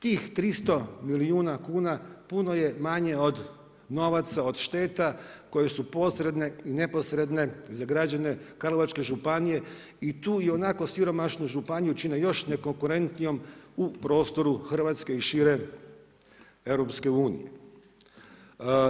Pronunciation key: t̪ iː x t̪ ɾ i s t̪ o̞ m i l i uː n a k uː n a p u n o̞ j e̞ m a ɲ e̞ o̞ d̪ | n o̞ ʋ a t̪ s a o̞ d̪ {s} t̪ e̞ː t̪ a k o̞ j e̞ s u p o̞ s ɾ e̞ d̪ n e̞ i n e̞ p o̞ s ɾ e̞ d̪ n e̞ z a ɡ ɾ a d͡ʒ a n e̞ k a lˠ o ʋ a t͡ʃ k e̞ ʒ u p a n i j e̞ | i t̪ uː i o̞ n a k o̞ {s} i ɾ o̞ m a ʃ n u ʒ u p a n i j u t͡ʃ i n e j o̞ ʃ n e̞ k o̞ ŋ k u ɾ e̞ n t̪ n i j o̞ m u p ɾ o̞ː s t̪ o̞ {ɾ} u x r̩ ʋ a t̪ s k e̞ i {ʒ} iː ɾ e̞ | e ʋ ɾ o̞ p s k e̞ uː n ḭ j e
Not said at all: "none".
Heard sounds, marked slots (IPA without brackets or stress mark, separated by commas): ʃ, s, ɾ, ʃ